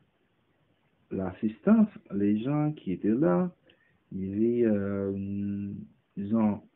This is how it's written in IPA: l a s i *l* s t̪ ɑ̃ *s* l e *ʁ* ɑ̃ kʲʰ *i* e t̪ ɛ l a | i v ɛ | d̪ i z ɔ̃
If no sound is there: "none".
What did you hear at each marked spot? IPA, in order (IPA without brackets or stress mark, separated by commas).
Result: none, s, ʒ, i